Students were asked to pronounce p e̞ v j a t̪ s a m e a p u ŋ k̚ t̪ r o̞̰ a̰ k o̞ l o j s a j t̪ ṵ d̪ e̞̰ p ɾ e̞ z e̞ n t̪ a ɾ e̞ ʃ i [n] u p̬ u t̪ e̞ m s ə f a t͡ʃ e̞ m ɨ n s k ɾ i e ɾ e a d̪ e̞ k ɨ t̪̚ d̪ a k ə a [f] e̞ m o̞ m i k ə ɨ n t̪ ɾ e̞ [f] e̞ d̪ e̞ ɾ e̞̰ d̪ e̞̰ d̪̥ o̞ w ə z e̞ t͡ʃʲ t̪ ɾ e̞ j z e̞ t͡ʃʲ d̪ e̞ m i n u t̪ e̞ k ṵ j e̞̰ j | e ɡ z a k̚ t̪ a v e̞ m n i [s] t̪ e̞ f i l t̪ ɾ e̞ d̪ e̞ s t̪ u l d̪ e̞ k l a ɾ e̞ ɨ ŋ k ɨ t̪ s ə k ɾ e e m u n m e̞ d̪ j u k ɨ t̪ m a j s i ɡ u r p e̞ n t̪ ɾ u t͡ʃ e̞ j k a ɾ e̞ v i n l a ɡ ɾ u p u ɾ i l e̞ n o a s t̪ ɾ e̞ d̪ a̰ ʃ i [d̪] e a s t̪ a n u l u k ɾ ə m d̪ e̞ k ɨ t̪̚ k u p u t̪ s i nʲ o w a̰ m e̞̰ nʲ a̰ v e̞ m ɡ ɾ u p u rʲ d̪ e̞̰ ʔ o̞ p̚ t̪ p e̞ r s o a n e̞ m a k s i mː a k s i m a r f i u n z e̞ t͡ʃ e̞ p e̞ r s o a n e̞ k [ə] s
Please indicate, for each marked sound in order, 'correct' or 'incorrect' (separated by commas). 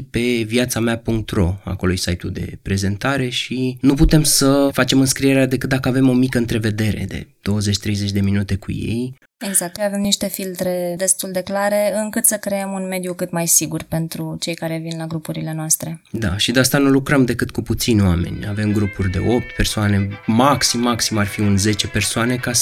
correct, incorrect, incorrect, incorrect, correct, incorrect